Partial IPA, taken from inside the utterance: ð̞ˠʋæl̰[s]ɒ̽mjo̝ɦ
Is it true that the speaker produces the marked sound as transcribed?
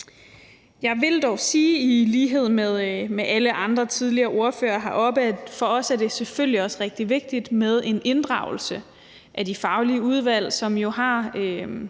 yes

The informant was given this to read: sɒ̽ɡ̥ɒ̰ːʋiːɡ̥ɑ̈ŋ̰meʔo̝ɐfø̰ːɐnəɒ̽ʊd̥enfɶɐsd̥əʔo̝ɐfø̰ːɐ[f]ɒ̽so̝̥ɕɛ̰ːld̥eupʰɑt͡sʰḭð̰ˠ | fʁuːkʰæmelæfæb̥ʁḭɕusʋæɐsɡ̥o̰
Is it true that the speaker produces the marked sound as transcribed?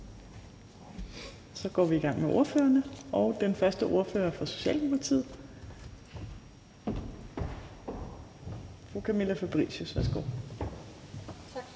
yes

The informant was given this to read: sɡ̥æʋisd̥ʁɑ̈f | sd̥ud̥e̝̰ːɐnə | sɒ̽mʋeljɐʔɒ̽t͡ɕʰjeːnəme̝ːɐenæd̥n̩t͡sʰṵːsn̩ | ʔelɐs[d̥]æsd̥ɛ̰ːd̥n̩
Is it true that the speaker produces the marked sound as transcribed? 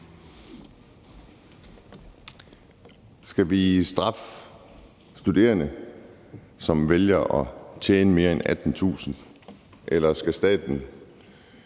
no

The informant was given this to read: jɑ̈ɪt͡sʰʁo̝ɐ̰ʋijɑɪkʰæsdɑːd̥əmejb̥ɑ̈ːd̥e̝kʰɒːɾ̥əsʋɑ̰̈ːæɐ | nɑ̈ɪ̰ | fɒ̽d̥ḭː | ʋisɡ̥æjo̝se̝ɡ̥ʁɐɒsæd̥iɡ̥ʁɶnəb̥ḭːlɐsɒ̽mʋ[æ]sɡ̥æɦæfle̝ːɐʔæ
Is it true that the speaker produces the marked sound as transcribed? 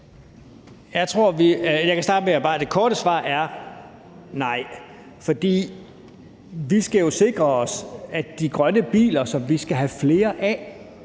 no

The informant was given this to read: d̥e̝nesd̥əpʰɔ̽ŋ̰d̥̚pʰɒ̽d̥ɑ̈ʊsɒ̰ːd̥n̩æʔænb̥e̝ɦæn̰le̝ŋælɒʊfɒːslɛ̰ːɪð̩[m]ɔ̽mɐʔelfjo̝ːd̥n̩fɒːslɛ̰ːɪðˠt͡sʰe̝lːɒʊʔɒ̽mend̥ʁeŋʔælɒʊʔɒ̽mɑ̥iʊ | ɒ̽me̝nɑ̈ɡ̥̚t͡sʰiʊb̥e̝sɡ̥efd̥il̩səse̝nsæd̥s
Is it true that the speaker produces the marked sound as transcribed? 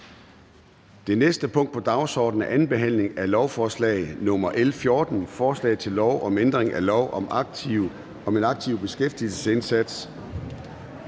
no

